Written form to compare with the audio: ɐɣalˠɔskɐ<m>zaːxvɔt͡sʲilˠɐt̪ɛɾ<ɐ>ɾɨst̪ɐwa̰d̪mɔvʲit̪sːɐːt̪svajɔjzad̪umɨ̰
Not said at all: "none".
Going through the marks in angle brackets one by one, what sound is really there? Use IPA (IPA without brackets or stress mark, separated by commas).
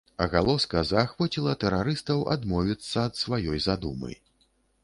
none, a